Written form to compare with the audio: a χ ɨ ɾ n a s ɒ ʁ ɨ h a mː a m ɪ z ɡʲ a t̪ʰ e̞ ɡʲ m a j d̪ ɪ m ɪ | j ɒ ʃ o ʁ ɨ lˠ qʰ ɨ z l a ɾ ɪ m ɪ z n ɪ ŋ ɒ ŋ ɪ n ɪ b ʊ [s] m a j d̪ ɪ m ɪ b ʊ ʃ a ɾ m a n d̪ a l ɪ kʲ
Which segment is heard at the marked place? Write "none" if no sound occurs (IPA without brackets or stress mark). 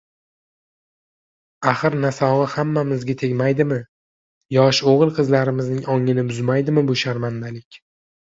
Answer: z